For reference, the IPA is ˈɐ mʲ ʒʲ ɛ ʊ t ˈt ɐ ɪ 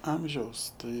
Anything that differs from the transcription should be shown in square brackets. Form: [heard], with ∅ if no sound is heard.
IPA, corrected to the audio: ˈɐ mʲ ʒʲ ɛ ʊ [s] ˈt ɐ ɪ